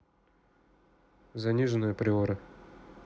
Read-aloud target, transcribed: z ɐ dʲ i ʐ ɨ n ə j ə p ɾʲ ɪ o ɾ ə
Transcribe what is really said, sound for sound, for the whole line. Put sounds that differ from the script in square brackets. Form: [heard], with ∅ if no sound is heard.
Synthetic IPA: z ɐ [nʲ] i ʐ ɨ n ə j ə p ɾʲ ɪ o ɾ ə